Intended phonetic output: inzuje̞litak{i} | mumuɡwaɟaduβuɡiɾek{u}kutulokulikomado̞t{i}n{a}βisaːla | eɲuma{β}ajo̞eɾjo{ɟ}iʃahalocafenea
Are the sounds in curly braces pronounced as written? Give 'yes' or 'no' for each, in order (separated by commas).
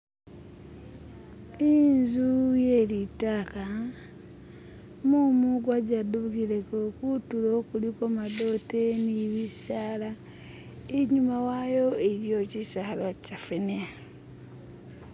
no, no, no, no, no, no